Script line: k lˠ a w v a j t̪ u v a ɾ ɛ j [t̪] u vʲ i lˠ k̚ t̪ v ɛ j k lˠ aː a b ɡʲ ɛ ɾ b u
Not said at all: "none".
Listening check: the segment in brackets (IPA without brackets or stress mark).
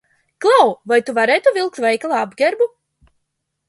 t̪